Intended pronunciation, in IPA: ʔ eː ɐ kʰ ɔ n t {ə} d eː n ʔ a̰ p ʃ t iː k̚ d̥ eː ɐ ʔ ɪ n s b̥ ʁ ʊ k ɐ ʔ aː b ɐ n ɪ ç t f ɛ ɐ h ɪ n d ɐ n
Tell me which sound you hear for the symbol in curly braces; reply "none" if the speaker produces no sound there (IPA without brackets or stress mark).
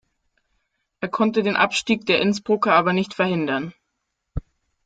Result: ə